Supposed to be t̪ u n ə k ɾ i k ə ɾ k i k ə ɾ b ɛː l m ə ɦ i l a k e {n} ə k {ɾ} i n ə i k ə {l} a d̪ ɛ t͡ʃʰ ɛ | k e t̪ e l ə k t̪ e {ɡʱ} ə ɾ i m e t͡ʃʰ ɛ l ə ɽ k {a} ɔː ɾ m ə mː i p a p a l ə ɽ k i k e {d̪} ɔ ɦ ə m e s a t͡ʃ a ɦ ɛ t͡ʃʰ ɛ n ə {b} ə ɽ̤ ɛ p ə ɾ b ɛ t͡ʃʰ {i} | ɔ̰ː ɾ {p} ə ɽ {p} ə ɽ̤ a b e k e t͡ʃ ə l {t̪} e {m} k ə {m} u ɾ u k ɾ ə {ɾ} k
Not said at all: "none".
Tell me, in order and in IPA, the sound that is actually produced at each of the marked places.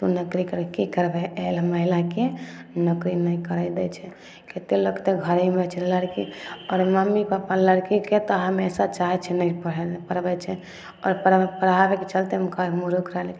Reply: n, ɾ, ɾ, ɡʱ, i, t̪, p, ɛ, p, p, t̪, m, m, l

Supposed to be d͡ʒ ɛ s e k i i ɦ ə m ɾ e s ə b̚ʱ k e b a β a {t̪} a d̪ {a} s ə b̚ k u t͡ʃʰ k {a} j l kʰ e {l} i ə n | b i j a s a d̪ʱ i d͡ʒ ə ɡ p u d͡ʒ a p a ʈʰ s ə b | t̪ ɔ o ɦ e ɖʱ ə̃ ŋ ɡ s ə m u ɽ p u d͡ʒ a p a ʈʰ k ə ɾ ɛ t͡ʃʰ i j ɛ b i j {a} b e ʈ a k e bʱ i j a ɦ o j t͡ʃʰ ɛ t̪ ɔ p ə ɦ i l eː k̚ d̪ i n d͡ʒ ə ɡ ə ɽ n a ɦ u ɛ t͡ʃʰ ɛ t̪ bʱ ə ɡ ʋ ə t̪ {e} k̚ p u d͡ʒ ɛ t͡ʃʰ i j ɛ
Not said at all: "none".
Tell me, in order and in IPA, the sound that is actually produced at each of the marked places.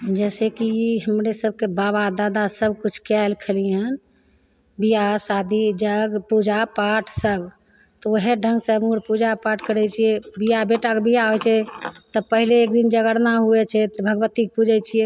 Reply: d̪, a, a, l, a, i

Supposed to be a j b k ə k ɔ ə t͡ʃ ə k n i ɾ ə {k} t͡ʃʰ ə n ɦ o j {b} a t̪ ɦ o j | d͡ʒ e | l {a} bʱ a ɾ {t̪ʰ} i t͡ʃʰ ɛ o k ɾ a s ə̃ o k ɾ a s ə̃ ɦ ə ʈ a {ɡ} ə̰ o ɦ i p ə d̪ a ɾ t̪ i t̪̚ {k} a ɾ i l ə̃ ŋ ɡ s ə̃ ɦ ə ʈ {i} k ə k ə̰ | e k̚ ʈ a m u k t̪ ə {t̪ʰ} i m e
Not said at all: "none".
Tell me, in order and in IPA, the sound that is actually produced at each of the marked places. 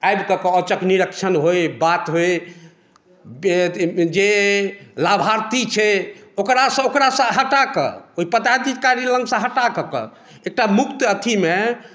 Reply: k, b, a, t̪, k, k, a, t̪ʰ

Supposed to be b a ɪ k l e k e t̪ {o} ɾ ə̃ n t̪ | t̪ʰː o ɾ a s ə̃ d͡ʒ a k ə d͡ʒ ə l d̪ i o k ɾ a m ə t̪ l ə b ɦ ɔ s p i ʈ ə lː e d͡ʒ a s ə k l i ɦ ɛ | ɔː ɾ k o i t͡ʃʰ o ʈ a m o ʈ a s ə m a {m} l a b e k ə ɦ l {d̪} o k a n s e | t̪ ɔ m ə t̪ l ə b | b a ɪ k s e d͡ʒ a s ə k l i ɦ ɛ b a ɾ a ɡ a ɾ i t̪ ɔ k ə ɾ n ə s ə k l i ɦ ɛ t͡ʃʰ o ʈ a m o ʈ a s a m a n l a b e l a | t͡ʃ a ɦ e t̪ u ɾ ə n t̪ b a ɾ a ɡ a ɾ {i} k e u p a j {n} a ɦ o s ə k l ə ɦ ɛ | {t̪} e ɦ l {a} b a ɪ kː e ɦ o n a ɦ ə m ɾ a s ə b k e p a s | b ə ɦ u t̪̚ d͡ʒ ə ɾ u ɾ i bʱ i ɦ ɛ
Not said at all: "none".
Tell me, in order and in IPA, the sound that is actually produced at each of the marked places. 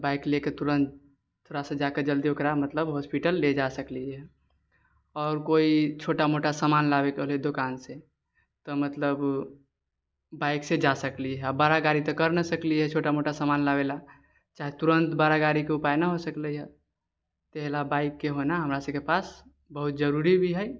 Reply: u, n, d̪, i, n, t̪, a

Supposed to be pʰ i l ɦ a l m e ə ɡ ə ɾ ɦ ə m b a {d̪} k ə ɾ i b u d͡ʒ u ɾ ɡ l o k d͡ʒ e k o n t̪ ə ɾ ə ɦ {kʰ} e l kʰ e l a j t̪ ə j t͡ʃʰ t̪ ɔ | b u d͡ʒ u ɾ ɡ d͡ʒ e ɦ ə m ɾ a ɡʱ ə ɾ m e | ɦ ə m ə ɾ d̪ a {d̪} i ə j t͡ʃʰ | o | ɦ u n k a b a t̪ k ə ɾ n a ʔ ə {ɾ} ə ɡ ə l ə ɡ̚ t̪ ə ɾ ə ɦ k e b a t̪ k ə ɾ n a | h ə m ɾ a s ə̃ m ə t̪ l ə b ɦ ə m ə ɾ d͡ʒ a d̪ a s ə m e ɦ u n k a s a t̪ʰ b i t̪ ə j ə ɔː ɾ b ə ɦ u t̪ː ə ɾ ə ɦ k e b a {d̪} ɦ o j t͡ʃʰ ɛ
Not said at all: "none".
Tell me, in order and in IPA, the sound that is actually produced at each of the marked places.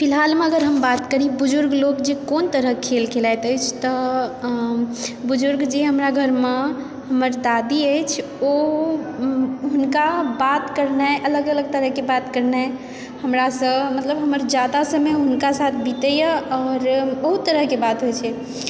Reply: t̪, kʰ, d̪, l, t̪

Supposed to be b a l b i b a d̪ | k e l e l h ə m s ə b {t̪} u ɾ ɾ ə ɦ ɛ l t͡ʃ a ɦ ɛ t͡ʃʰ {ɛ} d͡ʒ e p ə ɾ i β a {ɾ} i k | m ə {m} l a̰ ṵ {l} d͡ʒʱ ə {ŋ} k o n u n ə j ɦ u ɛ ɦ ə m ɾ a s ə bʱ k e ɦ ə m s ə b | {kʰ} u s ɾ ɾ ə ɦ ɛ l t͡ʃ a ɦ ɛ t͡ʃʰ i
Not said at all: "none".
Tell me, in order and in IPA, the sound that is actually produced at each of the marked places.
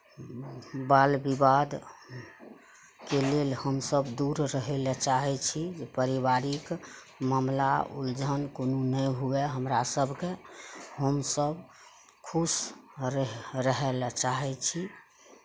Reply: d̪, i, ɾ, m, l, n, kʰ

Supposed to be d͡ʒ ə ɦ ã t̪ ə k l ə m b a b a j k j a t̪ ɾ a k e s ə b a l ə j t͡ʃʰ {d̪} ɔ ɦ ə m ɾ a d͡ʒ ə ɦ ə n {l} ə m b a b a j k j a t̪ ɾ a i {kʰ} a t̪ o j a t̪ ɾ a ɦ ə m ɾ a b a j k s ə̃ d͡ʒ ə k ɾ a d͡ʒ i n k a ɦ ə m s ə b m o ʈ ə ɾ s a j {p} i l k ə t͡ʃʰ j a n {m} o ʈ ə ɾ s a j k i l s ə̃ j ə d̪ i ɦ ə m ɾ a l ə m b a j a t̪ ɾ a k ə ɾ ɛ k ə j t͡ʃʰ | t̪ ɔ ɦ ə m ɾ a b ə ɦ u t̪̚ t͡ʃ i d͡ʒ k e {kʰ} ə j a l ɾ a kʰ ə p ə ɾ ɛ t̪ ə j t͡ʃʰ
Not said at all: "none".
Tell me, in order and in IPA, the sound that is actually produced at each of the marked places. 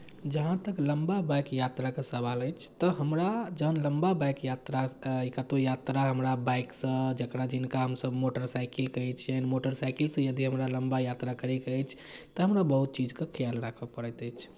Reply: t̪, l, k, k, m, kʰ

